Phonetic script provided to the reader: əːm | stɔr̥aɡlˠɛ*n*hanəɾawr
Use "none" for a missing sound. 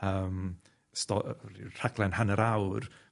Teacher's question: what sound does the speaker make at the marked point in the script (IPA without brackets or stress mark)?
n